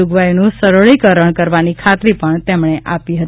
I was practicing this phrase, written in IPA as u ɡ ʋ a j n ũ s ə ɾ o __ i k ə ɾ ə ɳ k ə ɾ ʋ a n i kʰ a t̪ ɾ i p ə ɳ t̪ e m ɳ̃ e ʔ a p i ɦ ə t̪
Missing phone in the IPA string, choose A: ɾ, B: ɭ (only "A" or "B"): B